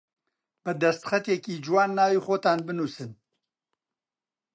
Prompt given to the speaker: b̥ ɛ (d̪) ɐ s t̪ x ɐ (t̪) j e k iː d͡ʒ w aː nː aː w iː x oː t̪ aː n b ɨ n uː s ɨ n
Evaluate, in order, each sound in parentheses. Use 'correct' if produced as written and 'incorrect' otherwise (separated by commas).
correct, correct